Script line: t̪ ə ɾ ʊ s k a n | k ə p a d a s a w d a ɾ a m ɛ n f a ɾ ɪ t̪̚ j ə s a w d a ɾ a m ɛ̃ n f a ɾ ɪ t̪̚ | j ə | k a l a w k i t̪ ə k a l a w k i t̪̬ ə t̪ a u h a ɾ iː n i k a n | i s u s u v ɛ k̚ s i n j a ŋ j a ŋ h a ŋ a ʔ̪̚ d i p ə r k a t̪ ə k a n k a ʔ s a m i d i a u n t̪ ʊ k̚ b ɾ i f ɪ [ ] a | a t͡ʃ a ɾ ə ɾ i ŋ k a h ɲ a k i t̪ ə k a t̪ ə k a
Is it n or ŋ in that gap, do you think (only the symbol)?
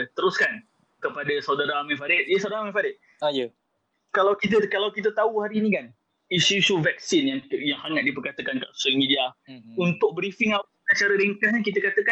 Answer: ŋ